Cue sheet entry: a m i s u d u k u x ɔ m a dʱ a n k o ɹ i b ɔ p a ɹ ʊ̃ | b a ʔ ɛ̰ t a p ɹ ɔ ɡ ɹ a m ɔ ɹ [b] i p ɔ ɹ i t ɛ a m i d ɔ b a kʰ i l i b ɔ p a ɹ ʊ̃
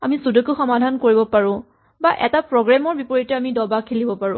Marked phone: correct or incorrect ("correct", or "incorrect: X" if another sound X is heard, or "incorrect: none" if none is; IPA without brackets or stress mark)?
correct